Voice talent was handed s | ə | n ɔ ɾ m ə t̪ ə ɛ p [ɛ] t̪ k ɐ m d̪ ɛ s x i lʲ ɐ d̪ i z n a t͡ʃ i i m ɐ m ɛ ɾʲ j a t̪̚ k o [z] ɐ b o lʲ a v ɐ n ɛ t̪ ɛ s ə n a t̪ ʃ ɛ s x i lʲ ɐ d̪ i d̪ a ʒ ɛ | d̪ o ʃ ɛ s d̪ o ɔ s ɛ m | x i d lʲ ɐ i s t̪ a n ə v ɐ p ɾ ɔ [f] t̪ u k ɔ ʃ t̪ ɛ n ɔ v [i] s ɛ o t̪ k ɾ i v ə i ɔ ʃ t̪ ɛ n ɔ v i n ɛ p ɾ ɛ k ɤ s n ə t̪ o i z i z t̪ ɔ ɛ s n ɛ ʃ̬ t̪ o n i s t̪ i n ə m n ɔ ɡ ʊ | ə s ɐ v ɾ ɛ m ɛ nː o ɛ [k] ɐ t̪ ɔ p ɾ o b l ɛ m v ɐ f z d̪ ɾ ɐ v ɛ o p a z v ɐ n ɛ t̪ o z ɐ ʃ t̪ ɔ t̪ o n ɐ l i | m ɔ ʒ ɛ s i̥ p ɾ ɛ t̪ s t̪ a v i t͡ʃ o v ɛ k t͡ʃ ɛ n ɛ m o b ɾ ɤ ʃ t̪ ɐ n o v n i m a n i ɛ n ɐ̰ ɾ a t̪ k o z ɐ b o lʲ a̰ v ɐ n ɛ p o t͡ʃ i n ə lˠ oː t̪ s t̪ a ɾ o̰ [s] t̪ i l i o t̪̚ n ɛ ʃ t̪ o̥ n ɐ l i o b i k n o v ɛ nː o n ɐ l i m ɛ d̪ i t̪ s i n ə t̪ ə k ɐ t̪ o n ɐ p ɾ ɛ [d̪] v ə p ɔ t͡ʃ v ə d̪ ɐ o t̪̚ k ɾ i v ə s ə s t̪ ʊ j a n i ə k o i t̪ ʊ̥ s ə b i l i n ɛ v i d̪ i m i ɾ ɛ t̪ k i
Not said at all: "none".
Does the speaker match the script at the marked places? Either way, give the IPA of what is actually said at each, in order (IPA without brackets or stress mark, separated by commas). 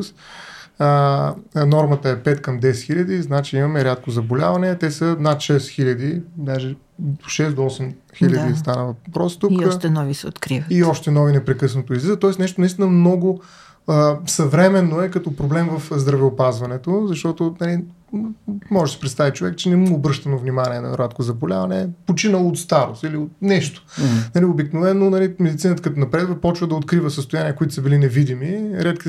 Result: ɛ, z, s, i, k, s, d̪